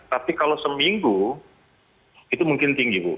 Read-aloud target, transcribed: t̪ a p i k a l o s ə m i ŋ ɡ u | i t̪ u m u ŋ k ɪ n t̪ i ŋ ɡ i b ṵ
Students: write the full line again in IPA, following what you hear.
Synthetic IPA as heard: t̪ a p i k a l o s ə m i ŋ ɡ u | i t̪ u m u ŋ k ɪ n t̪ i ŋ ɡ i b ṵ